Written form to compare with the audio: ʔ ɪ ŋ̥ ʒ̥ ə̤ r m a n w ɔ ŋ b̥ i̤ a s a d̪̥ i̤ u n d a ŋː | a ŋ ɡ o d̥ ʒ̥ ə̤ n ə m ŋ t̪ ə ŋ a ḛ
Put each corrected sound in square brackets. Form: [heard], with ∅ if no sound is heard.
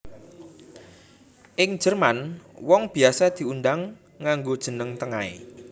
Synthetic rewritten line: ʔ ɪ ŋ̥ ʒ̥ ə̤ r m a n w ɔ ŋ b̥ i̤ a s a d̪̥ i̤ u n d a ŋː | a ŋ ɡ o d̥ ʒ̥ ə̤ n ə [∅] ŋ t̪ ə ŋ a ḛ